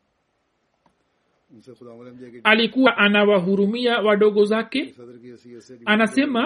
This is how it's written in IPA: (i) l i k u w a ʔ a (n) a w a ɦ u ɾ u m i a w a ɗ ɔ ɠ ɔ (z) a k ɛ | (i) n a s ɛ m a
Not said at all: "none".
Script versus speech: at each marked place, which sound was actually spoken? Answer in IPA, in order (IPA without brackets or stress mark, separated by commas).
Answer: a, n, z, a